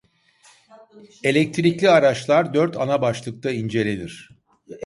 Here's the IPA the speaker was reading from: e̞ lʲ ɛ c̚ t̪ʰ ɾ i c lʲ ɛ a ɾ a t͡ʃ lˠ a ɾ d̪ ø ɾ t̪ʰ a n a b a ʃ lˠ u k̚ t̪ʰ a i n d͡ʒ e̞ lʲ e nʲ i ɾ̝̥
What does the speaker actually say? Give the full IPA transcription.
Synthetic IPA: e̞ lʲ ɛ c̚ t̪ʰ ɾ i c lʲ i a ɾ a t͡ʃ lˠ a ɾ d̪ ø ɾ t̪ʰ a n a b a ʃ lˠ ɯ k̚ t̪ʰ a i n d͡ʒ e̞ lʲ e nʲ i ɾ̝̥